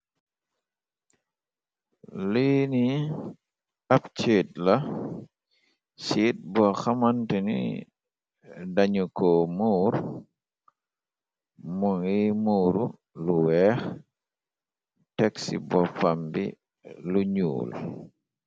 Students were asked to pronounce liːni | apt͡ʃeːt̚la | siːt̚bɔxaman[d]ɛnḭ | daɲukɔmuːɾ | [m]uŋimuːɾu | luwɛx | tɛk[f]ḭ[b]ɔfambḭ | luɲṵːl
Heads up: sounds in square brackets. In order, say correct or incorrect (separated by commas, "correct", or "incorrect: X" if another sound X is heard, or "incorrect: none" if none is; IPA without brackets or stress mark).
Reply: incorrect: t, correct, incorrect: s, correct